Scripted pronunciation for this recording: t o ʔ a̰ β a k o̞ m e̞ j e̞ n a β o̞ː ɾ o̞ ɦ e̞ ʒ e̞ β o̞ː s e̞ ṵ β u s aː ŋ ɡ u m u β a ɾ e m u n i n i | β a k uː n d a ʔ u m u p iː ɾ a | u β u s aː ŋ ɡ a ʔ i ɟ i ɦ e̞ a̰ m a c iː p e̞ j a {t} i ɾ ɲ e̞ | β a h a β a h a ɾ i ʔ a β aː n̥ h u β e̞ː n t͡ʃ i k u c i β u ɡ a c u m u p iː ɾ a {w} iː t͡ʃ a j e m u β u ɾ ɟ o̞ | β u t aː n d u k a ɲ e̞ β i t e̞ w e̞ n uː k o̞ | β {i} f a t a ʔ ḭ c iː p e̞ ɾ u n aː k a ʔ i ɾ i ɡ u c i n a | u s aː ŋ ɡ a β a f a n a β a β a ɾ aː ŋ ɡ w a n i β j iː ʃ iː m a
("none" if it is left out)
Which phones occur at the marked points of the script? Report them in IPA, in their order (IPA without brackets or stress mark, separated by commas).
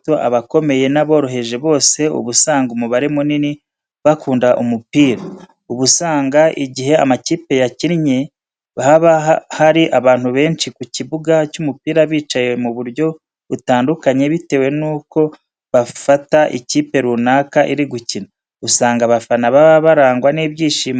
c, β, a